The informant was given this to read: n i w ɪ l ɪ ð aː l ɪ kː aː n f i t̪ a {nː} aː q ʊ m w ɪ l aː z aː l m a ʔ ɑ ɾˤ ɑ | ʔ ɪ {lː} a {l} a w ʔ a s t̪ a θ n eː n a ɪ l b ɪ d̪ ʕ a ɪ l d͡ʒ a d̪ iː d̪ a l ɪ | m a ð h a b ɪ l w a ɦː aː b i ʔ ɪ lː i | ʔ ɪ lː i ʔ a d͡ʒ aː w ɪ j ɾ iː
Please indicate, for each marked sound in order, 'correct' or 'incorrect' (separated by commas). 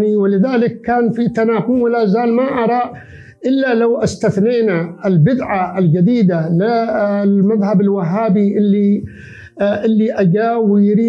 incorrect, correct, correct